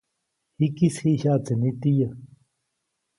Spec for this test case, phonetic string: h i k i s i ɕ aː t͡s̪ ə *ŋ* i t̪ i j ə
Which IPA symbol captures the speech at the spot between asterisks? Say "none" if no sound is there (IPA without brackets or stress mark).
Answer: n